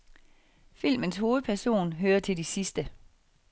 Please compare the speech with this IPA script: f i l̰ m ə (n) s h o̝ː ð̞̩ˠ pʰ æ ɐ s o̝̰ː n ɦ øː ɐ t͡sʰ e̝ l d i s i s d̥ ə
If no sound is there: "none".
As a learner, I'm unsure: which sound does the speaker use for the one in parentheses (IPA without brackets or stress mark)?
n